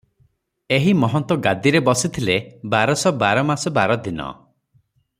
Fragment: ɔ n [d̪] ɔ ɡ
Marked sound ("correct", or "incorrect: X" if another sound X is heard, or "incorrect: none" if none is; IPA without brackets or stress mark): incorrect: t̪